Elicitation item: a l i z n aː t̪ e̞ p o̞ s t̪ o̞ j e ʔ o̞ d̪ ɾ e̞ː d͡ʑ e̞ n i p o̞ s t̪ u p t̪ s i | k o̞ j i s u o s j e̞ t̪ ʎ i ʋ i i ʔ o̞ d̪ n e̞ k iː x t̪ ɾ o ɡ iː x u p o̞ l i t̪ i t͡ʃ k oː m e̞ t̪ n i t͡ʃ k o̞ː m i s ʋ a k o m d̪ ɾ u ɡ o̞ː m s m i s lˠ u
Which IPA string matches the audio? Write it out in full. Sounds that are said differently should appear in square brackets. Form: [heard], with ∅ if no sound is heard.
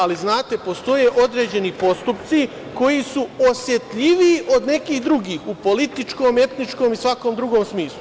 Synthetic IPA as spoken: a l i z n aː t̪ e̞ p o̞ s t̪ o̞ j e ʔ o̞ d̪ ɾ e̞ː d͡ʑ e̞ n i p o̞ s t̪ u p t̪ s i | k o̞ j i s u o s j e̞ t̪ ʎ i ʋ i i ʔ o̞ d̪ n e̞ k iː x [d̪] ɾ [u] ɡ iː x u p o̞ l i t̪ i t͡ʃ k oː m e̞ t̪ n i t͡ʃ k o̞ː m i s ʋ a k o m d̪ ɾ u ɡ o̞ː m s m [iː] s lˠ u

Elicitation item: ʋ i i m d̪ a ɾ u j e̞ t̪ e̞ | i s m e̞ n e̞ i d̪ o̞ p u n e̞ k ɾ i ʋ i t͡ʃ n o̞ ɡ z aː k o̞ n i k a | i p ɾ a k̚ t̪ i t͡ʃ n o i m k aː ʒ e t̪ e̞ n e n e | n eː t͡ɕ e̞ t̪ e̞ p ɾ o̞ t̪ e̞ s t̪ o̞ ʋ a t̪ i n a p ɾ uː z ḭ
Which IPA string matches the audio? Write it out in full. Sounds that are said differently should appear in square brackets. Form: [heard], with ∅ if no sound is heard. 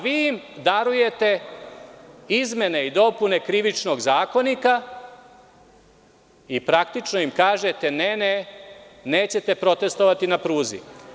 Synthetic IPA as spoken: ʋ i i m d̪ a ɾ u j e̞ t̪ e̞ | i [z] m e̞ n e̞ i d̪ o̞ p u n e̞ k ɾ i ʋ i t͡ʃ n o̞ ɡ z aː k o̞ n i k a | i p ɾ a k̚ t̪ i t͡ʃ n o i m k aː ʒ e t̪ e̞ n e n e | n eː t͡ɕ e̞ t̪ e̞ p ɾ o̞ t̪ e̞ s t̪ o̞ ʋ a t̪ i n a p ɾ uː z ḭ

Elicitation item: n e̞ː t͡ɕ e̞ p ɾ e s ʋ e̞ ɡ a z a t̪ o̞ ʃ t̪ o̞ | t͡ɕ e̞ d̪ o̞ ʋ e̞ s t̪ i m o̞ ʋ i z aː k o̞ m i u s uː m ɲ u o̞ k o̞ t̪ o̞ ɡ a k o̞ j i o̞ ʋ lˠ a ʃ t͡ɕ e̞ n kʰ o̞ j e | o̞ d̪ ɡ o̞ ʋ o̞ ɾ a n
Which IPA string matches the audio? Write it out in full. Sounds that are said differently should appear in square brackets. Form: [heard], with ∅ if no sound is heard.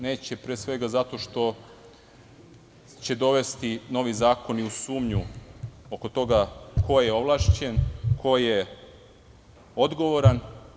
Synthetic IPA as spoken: n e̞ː t͡ɕ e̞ p ɾ e s ʋ e̞ ɡ a z a t̪ o̞ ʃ t̪ o̞ | t͡ɕ e̞ d̪ o̞ ʋ e̞ s t̪ i [n] o̞ ʋ i z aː k o̞ [n] i u s uː m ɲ u o̞ k o̞ t̪ o̞ ɡ a k o̞ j [e] o̞ ʋ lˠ a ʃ t͡ɕ e̞ n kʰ o̞ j e | o̞ d̪ ɡ o̞ ʋ o̞ ɾ a n

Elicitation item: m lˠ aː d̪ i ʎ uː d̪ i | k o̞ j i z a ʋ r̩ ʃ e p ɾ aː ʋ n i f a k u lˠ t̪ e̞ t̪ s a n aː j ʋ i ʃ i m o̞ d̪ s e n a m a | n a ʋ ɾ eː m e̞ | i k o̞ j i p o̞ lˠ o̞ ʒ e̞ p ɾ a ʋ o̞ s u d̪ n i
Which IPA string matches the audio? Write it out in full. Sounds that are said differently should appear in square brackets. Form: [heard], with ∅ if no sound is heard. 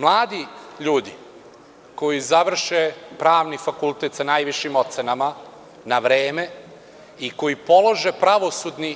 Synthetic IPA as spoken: m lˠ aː d̪ i ʎ uː d̪ i | k o̞ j i z a ʋ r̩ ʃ e p ɾ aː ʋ n i f a k u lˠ t̪ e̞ t̪ s a n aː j ʋ i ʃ i m o̞ [t̪] s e n a m a | n a ʋ ɾ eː m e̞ | i k o̞ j i p o̞ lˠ o̞ ʒ e̞ p ɾ a ʋ o̞ s u d̪ n i

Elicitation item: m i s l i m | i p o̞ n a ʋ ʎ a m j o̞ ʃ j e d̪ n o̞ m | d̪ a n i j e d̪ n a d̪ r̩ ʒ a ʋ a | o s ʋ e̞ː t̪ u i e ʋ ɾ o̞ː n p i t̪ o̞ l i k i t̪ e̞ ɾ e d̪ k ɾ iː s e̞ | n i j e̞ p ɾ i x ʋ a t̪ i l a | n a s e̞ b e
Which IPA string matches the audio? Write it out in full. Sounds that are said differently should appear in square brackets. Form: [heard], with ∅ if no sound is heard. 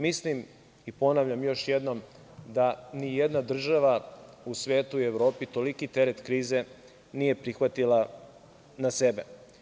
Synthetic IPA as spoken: m i s l i m | i p o̞ n a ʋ ʎ a m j o̞ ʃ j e d̪ n o̞ m | d̪ a n i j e d̪ n a d̪ r̩ ʒ a ʋ a | [u] s ʋ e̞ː t̪ u i e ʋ ɾ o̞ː [∅] p i t̪ o̞ l i k i t̪ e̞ ɾ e [t̪] k ɾ iː [z] e̞ | n i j e̞ p ɾ i x ʋ a t̪ i l a | n a s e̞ b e

